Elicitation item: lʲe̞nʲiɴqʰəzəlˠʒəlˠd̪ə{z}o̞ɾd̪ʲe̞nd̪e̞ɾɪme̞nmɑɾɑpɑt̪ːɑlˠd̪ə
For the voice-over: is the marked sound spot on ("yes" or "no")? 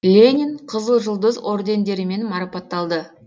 yes